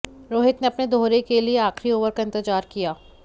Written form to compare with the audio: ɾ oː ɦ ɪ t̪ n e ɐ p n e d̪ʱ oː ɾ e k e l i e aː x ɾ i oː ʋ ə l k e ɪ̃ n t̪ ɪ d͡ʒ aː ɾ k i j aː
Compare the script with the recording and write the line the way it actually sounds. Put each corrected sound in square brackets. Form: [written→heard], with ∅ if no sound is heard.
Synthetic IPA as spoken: ɾ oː ɦ ɪ t̪ n e ɐ p n e d̪ʱ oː ɾ e k e l i e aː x ɾ i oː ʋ ə [l→ɾ] k [e→a] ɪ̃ n t̪ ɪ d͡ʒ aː ɾ k i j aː